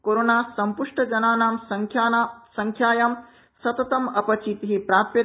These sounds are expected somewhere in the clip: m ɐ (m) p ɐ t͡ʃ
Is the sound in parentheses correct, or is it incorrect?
incorrect